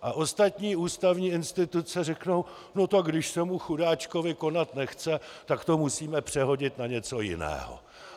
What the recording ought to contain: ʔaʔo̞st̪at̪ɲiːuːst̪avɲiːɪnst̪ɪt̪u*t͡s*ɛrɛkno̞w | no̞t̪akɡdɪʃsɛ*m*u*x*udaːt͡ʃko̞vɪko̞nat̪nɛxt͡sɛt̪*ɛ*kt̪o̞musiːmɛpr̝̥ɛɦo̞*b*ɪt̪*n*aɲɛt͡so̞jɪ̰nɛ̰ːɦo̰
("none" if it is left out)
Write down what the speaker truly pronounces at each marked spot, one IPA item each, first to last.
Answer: t͡s, m, x, a, ɟ, n

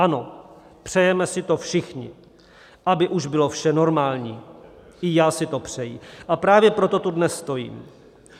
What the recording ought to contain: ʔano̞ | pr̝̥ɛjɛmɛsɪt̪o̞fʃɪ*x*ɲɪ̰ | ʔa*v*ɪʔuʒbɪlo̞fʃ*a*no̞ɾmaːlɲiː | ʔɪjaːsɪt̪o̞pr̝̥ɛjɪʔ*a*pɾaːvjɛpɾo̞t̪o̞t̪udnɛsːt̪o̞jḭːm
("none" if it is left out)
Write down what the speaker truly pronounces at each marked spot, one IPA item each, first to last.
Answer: x, b, ɛ, a

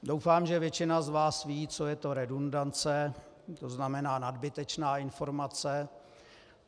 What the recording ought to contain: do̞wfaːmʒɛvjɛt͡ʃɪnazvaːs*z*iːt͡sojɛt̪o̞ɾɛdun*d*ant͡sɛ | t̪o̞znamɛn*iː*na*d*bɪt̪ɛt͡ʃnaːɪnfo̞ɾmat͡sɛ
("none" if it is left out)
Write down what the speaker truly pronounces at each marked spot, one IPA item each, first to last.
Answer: v, d, aː, d

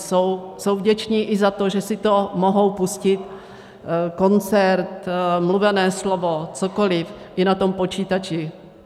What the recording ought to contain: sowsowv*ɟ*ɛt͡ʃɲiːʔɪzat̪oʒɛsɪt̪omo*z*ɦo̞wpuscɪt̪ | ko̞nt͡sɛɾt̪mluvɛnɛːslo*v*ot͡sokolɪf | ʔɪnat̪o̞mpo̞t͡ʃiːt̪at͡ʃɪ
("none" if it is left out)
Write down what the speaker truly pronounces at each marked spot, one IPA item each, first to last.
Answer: ɟ, none, v

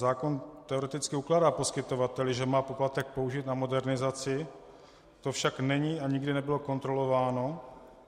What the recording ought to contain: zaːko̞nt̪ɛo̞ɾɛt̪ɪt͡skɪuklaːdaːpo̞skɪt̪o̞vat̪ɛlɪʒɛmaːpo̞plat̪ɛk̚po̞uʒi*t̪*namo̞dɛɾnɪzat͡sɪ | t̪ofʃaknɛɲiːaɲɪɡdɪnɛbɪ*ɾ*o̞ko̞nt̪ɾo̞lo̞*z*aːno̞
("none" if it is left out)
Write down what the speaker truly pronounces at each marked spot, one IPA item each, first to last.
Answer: t̪, l, v

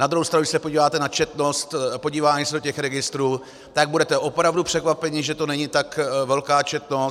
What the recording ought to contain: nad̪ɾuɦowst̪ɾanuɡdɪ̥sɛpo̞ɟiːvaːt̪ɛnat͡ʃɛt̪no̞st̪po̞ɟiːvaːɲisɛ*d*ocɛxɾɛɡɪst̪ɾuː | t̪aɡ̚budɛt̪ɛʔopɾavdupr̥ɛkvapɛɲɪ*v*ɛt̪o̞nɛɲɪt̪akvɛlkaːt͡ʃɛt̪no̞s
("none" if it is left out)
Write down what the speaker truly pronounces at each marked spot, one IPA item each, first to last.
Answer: d, ʒ

